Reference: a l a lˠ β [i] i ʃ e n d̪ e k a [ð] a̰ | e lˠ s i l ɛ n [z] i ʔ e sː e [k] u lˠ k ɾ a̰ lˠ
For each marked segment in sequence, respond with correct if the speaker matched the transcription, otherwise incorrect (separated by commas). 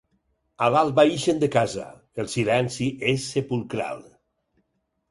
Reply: incorrect, incorrect, incorrect, incorrect